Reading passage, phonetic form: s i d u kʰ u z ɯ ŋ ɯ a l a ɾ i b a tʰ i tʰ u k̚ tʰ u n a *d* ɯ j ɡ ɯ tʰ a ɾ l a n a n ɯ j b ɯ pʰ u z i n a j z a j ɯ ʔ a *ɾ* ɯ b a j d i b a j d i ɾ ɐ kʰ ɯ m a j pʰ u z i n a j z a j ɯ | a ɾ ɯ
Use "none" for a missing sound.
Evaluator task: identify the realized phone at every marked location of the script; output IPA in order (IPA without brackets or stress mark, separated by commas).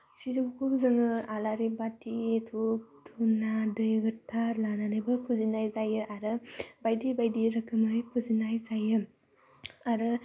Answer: d, ɾ